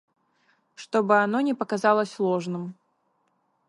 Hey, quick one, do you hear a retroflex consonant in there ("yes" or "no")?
yes